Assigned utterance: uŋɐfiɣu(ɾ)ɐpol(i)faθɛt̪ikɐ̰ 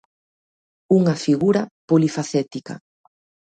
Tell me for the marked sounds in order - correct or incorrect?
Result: correct, correct

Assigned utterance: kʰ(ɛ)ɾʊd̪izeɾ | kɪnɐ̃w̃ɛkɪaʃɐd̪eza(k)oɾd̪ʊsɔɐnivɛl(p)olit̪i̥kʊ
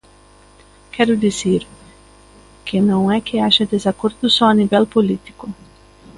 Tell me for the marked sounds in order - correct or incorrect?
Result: correct, correct, correct

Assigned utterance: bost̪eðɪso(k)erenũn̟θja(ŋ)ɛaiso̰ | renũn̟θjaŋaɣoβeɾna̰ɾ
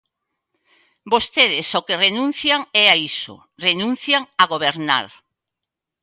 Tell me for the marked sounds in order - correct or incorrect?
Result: correct, correct

